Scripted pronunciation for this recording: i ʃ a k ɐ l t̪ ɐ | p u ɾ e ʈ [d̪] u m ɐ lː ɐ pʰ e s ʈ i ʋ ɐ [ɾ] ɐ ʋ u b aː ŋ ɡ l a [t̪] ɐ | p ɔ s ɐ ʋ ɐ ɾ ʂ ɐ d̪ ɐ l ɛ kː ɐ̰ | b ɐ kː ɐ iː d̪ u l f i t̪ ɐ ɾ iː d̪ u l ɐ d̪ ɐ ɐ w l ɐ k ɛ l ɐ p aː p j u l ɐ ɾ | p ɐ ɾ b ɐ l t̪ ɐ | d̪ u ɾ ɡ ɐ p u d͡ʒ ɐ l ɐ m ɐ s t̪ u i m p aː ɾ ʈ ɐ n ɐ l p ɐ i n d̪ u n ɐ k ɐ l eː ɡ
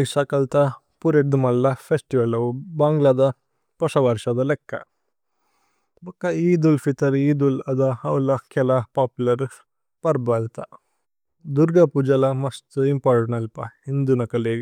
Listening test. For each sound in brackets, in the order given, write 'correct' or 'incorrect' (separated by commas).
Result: correct, incorrect, incorrect